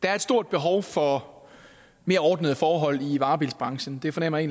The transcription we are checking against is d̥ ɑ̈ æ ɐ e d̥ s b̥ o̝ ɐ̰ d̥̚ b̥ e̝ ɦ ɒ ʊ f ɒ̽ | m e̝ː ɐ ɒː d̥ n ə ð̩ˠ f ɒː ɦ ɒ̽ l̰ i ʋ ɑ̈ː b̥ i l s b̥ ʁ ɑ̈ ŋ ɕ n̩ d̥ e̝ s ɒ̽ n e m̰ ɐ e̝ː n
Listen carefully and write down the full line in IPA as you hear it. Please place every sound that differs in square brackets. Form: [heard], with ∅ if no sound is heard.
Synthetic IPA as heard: d̥ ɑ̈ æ ɐ e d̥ s [d̥] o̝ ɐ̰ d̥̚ b̥ e̝ ɦ ɒ ʊ f ɒ̽ | m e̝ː ɐ ɒː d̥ n ə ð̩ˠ f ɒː ɦ ɒ̽ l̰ i ʋ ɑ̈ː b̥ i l s b̥ ʁ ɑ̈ ŋ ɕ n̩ d̥ e̝ [f] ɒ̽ n e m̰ ɐ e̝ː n